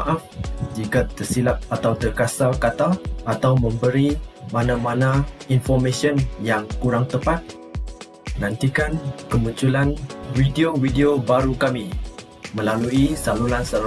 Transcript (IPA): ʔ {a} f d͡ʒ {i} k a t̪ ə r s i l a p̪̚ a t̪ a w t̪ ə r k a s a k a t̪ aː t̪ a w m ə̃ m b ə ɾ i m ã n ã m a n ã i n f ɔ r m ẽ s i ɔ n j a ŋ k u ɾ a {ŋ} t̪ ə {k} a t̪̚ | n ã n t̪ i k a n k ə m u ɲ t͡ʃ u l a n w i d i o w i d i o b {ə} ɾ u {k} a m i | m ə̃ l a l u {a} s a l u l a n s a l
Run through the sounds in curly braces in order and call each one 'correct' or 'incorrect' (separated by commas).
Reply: correct, correct, correct, incorrect, incorrect, correct, incorrect